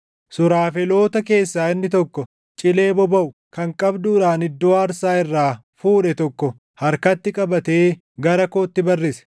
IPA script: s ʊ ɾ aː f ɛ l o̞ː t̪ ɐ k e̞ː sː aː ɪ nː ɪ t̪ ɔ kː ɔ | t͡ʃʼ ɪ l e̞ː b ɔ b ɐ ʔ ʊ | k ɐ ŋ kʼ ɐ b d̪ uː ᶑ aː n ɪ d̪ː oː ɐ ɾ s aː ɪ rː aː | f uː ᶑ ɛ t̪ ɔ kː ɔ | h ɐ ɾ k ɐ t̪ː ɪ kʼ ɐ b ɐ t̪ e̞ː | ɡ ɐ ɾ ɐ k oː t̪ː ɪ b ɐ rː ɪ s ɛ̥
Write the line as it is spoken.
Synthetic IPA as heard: s ʊ ɾ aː f ɛ l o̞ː t̪ ɐ k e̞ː sː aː ɪ nː ɪ t̪ ɔ kː ɔ | t͡ʃʼ ɪ l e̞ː b ɔ b ɐ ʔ ʊ | k ɐ ŋ kʼ ɐ b d̪ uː ᶑ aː n ɪ d̪ː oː ɐ ɾ s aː ɪ rː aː | f uː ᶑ ɛ t̪ ɔ kː ɔ | h ɐ ɾ k ɐ t̪ː ɪ kʼ ɐ b ɐ t̪ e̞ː | ɡ ɐ ɾ ɐ k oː t̪ː ɪ b ɐ rː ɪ s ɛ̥